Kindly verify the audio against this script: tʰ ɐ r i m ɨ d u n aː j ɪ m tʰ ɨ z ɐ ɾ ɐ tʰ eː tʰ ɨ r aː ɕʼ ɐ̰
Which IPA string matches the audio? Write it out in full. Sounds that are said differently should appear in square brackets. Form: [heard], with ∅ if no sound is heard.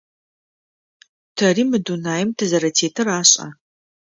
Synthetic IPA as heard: tʰ ɐ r i m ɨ d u n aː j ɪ m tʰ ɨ z ɐ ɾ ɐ tʰ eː tʰ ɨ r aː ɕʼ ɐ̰